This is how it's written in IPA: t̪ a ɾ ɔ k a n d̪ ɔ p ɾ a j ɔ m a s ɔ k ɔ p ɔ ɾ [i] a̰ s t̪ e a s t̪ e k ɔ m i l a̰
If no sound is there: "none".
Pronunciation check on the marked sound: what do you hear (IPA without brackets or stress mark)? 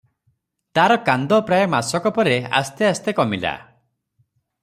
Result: e